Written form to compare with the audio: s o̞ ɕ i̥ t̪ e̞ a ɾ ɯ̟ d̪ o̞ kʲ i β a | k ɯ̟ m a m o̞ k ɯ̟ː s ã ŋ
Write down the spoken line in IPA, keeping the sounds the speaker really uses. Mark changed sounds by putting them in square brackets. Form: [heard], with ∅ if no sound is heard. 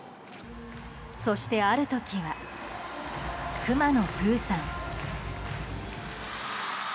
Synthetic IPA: s o̞ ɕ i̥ t̪ e̞ a ɾ ɯ̟ [t̪] o̞ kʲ i β a | k ɯ̟ m a [n] o̞ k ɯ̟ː s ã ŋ